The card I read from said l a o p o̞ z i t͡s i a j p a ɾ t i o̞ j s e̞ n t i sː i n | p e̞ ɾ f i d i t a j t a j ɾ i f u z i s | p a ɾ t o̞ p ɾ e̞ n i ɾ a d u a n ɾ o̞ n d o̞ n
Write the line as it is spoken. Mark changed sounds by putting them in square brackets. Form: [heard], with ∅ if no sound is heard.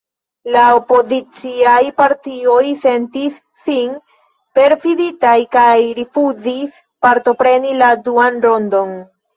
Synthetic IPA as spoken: l a o p o̞ z i t͡s i a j p a ɾ t i o̞ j s e̞ n t i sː i n | p e̞ ɾ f i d i t a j [k] a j ɾ i f u z i s | p a ɾ t o̞ p ɾ e̞ n i [l] a d u a n ɾ o̞ n d o̞ n